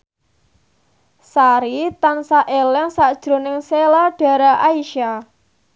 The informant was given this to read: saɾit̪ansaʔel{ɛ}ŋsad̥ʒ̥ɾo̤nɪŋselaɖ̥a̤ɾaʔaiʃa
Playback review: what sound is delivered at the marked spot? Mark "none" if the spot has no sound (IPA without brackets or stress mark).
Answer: ɛ